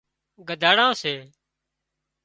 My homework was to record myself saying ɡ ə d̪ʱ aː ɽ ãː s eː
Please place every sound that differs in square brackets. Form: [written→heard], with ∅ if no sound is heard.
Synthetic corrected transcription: ɡ ə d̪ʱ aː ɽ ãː s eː